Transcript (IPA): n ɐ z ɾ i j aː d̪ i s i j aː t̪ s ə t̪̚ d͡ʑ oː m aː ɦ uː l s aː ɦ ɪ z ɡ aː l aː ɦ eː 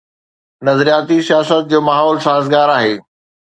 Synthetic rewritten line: n ɐ z ɾ i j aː t̪ i s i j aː s ə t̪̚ d͡ʑ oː m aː ɦ ɔː l s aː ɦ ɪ z ɡ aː ɾ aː ɦ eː